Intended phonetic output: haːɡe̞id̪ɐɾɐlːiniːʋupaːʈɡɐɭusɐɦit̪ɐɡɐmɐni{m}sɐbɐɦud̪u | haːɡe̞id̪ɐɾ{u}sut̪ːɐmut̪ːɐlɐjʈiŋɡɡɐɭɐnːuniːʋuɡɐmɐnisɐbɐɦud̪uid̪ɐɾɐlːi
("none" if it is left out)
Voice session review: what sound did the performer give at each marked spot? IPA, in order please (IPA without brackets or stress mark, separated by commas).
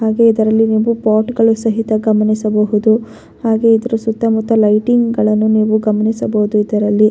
none, u